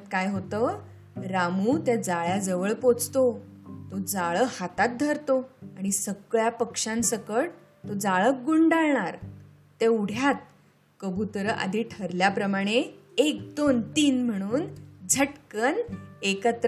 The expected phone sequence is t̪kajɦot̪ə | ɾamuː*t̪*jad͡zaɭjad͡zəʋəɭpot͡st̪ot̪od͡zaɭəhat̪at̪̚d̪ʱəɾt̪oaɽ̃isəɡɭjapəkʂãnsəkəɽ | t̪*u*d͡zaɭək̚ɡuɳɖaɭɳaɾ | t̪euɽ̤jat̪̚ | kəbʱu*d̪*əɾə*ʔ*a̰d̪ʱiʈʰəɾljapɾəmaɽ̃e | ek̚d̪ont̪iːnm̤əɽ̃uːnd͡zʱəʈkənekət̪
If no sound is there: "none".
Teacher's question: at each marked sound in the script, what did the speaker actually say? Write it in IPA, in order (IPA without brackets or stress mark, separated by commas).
t̪, o, t̪, ʔ